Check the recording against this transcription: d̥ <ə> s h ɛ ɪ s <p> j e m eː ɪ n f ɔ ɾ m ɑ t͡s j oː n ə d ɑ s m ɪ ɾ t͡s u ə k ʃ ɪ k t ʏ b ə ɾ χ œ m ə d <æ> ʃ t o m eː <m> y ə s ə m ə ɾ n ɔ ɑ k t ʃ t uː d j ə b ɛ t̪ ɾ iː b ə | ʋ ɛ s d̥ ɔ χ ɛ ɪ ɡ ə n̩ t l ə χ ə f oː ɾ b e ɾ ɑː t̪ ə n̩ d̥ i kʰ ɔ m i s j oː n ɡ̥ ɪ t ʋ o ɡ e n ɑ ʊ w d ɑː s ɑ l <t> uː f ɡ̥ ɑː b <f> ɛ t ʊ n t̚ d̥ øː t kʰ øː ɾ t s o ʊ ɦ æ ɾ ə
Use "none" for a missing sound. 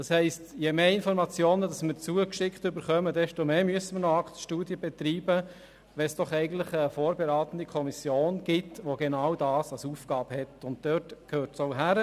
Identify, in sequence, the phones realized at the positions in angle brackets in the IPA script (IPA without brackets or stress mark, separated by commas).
ɑ, t, ɛ, m, s, h